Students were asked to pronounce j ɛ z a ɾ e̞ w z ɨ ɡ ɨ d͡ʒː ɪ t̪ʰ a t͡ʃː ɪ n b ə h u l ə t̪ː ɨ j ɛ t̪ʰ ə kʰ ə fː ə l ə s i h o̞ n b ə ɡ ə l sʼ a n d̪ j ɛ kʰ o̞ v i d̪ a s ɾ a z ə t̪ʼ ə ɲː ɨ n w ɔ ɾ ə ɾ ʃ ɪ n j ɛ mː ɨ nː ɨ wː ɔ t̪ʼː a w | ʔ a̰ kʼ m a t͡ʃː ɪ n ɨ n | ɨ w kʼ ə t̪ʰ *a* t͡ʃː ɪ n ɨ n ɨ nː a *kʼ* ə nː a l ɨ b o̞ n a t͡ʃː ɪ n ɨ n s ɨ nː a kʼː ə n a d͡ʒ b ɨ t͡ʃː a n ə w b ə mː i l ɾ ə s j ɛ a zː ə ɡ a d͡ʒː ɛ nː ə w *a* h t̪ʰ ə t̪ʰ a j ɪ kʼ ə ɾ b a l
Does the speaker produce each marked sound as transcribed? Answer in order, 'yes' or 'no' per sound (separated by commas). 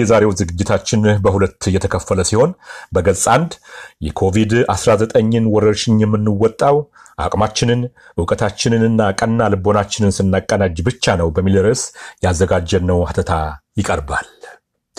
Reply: yes, yes, yes